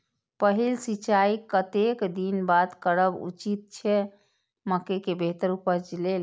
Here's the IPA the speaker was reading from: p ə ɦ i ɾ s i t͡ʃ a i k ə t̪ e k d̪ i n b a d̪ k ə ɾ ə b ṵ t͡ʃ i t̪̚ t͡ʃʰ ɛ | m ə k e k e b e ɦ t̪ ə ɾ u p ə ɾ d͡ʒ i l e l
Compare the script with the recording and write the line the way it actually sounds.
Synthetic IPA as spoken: p ə ɦ i l s i t͡ʃ a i k ə t̪ e k d̪ i n b a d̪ k ə ɾ ə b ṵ t͡ʃ i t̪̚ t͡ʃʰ ɛ | m ə k e k e b e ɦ t̪ ə ɾ u p ə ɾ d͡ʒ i l e l

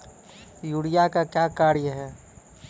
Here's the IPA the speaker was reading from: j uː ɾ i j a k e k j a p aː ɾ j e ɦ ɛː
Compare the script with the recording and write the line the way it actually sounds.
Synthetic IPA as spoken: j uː ɽ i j a k a k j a k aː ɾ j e ɦ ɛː

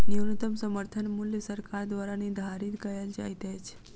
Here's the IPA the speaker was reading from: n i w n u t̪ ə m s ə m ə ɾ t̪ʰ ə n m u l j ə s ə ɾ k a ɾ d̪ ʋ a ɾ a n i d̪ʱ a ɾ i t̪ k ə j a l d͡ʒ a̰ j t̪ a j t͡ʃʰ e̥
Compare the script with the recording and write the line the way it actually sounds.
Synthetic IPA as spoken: n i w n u t̪ ə m s ə m ə ɾ t̪ʰ ə n m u l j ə s ə ɾ k a ɾ d̪ ʋ a ɾ a n i d̪ʱ a ɾ i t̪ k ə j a l d͡ʒ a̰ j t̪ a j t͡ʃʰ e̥

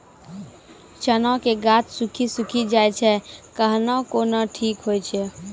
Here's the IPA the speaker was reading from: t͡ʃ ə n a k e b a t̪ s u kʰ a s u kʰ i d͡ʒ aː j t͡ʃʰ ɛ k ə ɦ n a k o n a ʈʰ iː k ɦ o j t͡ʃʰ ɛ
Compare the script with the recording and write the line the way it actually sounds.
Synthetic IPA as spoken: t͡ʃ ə n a k e ɡ a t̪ s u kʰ i s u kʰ i d͡ʒ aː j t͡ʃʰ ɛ k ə ɦ n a k o n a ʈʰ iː k ɦ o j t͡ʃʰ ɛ

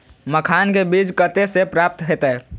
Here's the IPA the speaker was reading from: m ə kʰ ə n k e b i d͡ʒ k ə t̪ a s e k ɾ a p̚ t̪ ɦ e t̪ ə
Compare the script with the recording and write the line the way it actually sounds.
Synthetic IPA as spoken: m ə kʰ a n k e b i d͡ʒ k ə t̪ e s e p ɾ a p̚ t̪ ɦ e t̪ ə

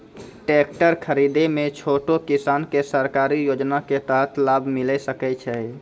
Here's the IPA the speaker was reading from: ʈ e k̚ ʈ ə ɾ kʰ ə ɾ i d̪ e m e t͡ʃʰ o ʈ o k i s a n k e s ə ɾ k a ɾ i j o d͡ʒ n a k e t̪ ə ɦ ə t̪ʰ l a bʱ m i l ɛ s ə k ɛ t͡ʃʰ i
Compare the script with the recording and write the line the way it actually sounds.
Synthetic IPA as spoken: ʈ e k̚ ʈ ə ɾ kʰ ə ɾ i d̪ e m e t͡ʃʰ o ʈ o k i s a n k e s ə ɾ k a ɾ i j o d͡ʒ n a k e t̪ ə ɦ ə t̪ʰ l a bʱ m i l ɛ s ə k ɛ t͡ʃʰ ɛ

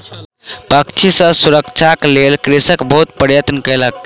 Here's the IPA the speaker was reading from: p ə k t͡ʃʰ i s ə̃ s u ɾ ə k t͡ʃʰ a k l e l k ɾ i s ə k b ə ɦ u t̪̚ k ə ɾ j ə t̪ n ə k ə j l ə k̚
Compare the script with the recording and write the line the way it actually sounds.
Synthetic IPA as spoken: p ə k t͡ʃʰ i s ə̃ s u ɾ ə k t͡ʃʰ a k l e l k ɾ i s ə k b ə ɦ u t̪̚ p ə ɾ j ə t̪ n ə k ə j l ə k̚

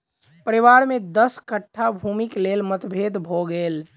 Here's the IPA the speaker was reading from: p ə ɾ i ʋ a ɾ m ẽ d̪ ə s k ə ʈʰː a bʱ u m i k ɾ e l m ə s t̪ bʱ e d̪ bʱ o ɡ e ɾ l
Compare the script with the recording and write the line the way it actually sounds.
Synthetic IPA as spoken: p ə ɾ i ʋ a ɾ m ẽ d̪ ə s k ə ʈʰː a bʱ u m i k l e l m ə t̪ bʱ e d̪ bʱ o ɡ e l

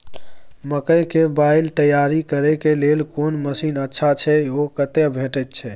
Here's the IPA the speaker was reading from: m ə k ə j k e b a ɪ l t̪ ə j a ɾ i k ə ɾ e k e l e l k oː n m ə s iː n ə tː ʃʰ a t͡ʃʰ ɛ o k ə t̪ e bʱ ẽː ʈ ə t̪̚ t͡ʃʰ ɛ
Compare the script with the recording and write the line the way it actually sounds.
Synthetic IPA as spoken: m ə k ə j k e b a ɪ l t̪ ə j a ɾ i k ə ɾ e k e l e l k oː n m ə s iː n ə tː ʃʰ a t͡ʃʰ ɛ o k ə t̪ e bʱ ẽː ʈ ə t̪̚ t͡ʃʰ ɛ

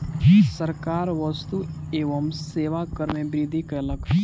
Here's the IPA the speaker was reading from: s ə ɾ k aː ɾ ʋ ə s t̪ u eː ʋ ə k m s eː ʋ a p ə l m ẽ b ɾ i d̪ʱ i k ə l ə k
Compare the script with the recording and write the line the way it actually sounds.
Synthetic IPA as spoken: s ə ɾ k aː ɾ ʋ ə s t̪ u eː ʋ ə m s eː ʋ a k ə ɾ m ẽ b ɾ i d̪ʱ i k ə l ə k

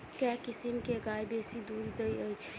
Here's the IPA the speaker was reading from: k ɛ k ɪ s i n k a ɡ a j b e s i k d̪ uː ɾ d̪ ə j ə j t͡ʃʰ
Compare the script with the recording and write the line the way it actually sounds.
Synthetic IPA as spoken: k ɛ k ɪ s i m k e ɡ a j b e s i d̪ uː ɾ d̪ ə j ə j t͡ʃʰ

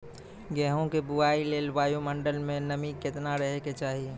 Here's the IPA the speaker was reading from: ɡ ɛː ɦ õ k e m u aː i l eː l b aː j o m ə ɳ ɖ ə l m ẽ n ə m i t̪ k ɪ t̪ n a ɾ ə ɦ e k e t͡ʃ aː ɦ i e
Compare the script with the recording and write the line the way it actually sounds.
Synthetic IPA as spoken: ɡ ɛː ɦ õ k e b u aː i l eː l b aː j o m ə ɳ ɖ ə l m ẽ n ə m i k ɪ t̪ n a ɾ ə ɦ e k e t͡ʃ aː ɦ i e

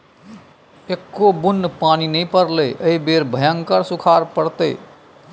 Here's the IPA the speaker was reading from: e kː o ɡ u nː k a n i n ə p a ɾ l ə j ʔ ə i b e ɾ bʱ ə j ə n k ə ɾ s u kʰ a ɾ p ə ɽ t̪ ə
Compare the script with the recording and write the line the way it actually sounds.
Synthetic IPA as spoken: e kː o b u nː p a n i n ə p ə ɾ l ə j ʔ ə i b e ɾ bʱ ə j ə ŋ k ə ɾ s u kʰ a ɾ p ə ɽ t̪ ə

